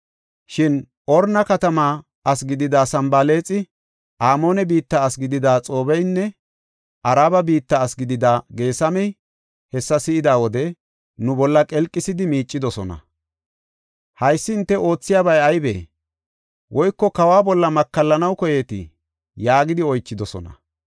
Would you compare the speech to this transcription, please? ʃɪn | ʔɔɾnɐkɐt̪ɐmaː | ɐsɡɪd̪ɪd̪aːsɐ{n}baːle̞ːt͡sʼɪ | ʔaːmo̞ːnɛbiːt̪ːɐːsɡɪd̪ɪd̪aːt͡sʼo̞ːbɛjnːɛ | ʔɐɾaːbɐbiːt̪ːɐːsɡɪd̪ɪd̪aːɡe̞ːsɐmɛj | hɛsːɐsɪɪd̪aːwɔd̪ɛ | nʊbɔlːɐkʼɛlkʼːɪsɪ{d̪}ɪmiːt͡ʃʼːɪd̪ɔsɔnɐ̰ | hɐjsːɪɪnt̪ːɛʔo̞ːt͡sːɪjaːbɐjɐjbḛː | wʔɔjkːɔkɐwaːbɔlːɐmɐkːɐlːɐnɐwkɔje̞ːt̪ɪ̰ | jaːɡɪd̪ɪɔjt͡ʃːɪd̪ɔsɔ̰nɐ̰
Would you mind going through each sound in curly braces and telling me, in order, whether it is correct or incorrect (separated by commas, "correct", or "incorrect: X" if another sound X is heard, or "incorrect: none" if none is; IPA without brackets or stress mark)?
incorrect: m, correct